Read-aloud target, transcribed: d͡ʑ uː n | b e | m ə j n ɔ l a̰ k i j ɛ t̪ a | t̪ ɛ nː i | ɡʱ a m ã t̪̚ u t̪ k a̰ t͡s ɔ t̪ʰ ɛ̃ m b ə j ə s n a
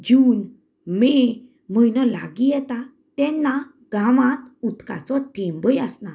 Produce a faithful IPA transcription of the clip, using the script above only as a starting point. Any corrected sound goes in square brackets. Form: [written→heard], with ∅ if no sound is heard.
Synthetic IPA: d͡ʑ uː n | [b→m] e | m ə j n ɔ l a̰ [k→ɡ] i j ɛ t̪ a | t̪ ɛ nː [i→a] | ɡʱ a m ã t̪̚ u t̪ k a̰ t͡s ɔ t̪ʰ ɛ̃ m b ə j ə s n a

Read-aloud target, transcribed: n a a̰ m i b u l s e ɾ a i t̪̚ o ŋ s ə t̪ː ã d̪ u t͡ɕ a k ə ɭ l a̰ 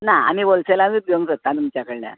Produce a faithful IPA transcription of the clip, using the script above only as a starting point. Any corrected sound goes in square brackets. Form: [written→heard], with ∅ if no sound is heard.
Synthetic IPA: n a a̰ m i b [u→o] l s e [ɾ→l] a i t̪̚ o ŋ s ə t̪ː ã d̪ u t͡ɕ a k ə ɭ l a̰

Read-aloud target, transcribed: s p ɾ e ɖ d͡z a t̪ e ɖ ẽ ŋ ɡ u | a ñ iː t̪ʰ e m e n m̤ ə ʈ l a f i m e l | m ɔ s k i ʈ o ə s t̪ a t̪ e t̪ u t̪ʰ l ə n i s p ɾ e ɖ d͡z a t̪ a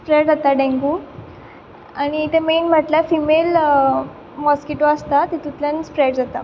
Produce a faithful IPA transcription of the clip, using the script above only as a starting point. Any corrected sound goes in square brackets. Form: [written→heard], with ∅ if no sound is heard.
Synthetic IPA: s p ɾ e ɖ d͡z a t̪ [e→a] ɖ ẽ ŋ ɡ u | a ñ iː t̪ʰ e m e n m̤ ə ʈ l a f i m e l | m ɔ s k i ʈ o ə s t̪ a t̪ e t̪ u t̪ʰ l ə n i s p ɾ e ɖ d͡z a t̪ a

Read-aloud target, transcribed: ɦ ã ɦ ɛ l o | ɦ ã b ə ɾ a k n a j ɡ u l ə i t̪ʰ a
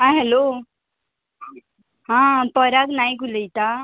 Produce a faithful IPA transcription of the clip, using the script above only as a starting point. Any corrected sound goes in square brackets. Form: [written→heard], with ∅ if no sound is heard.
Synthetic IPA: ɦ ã ɦ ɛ l o | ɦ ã [b→p] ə ɾ a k n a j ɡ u l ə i [t̪ʰ→t̪] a

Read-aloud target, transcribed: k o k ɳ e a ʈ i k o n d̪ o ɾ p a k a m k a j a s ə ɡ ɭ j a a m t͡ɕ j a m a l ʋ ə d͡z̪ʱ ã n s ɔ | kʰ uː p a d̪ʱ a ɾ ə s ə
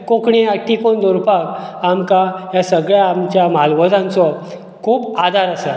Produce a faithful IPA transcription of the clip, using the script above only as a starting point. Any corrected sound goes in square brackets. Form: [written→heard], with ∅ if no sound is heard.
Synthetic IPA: k o k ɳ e a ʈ i k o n d̪ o ɾ p a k a m k a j a s ə ɡ ɭ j a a m t͡ɕ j a m a l ʋ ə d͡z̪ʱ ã n [s→t͡s] ɔ | kʰ uː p a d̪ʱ a ɾ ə s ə

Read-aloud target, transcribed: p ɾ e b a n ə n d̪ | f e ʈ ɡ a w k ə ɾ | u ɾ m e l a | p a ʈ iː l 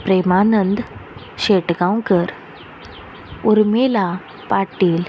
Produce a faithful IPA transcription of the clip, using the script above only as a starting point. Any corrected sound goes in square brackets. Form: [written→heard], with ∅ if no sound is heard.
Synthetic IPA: p ɾ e [b→m] a n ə n d̪ | [f→ɕ] e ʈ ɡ a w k ə ɾ | u ɾ m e l a | p a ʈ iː l

